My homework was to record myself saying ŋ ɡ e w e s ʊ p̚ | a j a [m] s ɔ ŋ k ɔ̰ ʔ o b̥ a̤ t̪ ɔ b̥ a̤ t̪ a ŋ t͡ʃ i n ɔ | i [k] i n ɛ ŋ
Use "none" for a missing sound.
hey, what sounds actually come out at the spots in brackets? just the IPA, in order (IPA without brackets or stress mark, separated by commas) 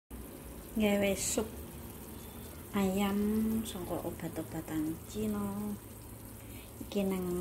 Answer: m, k